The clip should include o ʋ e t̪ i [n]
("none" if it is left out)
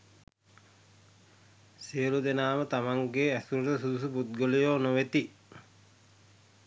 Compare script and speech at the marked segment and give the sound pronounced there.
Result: none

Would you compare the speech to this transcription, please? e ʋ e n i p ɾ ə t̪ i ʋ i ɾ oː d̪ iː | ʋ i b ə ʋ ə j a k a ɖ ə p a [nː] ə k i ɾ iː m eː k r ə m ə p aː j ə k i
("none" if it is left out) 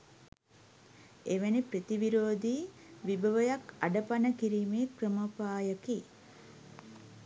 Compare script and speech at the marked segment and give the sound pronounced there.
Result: n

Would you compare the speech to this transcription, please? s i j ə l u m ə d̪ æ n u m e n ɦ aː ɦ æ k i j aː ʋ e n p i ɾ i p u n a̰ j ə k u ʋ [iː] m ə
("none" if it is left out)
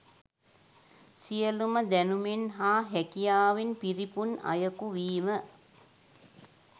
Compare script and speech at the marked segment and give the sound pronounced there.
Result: iː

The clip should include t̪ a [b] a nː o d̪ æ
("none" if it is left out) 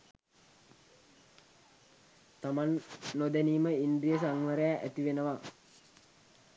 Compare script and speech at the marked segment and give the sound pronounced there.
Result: m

